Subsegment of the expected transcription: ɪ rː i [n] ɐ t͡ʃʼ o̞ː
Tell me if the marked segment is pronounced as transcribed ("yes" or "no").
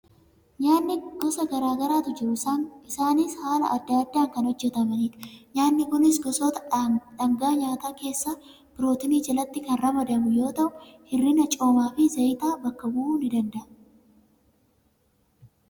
yes